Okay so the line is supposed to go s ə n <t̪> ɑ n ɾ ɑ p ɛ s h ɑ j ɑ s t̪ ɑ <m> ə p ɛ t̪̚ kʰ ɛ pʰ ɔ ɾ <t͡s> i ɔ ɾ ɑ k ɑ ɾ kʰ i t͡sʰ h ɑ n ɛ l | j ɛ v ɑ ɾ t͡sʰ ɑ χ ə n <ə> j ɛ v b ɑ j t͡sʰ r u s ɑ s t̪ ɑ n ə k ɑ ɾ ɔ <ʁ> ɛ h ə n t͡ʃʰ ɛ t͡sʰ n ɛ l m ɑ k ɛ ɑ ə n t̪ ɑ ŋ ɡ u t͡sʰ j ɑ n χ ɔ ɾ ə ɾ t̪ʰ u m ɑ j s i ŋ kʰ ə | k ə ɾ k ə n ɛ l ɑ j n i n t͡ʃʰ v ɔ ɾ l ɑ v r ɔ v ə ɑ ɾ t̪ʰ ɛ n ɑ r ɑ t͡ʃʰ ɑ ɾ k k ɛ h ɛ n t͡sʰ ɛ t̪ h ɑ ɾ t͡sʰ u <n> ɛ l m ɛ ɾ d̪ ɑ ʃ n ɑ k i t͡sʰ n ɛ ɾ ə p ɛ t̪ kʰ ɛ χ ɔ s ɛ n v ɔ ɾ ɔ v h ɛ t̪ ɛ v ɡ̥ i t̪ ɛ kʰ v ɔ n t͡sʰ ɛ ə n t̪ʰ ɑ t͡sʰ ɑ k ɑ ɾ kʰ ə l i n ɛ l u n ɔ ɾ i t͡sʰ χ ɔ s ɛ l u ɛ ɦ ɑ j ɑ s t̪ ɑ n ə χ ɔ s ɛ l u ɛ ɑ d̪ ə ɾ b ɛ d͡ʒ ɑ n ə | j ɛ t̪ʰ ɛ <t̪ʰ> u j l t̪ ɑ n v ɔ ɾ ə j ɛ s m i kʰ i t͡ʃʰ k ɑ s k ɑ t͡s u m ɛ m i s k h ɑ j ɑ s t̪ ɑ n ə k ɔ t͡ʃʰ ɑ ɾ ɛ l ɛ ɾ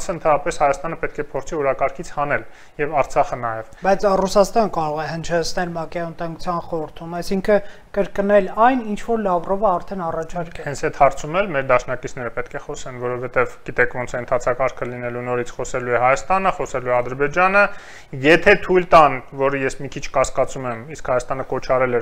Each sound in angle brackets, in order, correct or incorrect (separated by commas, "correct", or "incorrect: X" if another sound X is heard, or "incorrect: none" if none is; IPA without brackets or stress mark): incorrect: t̪ʰ, incorrect: n, incorrect: t͡sʰ, incorrect: ɑ, correct, incorrect: m, correct